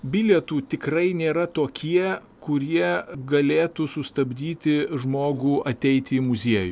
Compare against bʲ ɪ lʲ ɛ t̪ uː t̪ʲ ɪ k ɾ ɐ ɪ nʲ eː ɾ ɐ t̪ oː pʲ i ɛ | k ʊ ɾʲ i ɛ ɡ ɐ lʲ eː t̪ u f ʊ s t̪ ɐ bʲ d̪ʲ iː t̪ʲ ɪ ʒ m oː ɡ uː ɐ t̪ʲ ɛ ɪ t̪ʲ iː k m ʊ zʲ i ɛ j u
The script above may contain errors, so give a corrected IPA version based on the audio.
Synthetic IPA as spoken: bʲ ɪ lʲ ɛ t̪ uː t̪ʲ ɪ k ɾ ɐ ɪ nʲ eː ɾ ɐ t̪ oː kʲ i ɛ | k ʊ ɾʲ i ɛ ɡ ɐ lʲ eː t̪ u s ʊ s t̪ ɐ bʲ d̪ʲ iː t̪ʲ ɪ ʒ m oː ɡ uː ɐ t̪ʲ ɛ ɪ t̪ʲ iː m ʊ zʲ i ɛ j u